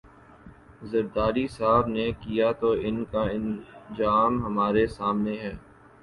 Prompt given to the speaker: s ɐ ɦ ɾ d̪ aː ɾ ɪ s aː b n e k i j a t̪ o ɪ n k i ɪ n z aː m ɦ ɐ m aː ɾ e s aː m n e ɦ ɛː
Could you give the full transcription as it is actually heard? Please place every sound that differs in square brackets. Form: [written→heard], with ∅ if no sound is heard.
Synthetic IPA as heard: [s→z] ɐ [ɦ→∅] ɾ d̪ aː ɾ [ɪ→i] s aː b n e k i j a t̪ o ɪ n k [i→a] ɪ n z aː m ɦ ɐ m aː ɾ e s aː m n e ɦ ɛː